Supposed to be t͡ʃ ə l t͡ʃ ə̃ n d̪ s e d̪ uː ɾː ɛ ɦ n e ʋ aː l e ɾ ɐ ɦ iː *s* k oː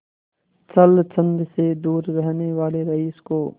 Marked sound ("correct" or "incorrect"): correct